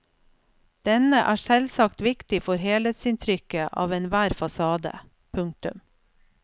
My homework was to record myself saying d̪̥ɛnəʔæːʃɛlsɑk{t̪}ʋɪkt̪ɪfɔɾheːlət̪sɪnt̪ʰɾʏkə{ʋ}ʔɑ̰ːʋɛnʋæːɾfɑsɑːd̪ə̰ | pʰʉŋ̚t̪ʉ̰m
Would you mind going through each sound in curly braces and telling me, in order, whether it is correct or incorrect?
correct, incorrect: none

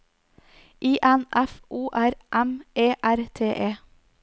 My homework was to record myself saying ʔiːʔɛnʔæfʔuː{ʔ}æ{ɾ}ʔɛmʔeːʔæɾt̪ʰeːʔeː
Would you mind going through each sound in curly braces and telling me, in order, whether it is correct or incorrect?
correct, correct

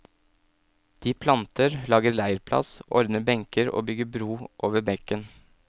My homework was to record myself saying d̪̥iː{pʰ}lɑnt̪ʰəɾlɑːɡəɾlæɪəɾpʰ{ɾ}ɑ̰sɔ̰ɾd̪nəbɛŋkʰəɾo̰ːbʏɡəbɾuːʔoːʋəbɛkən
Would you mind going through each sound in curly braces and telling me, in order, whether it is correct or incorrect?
correct, incorrect: l

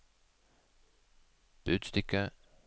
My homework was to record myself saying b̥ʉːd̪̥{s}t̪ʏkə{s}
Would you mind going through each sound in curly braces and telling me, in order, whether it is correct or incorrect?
correct, incorrect: none

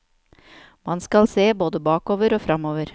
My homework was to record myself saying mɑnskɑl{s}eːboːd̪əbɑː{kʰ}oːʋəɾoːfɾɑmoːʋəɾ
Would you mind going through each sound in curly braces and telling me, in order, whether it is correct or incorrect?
correct, incorrect: k

